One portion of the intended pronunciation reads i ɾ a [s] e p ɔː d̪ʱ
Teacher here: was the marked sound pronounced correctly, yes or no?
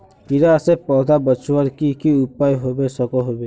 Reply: yes